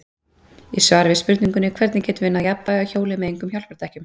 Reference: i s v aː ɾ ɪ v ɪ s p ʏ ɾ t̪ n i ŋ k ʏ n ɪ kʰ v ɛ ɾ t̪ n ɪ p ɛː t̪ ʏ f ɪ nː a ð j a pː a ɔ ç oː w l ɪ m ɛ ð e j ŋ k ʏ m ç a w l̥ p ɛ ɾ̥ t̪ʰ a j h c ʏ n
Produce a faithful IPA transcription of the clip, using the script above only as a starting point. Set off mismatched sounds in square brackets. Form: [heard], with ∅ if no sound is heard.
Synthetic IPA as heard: i s v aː ɾ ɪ v ɪ s p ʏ ɾ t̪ n i ŋ k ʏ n ɪ kʰ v ɛ ɾ t̪ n ɪ [c] ɛː t̪ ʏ [v] ɪ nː a ð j a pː a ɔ ç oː w l ɪ m ɛ ð e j ŋ k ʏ m ç a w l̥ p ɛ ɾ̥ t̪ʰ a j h c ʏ [m]